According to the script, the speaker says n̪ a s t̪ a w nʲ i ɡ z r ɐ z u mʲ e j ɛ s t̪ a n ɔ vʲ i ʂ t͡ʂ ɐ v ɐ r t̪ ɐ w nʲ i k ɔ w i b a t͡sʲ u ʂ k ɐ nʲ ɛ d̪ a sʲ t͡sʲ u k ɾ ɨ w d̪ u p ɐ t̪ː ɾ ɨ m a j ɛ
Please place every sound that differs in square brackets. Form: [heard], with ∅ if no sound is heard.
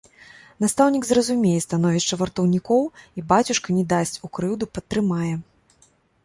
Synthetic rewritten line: n̪ a s t̪ a w nʲ i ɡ z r ɐ z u mʲ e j ɛ s t̪ a n ɔ vʲ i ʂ t͡ʂ ɐ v ɐ r t̪ ɐ w nʲ i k ɔ w i b a t͡sʲ u ʂ k ɐ nʲ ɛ d̪ a sʲ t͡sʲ u k ɾ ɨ w d̪ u p ɐ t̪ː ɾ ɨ m a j ɛ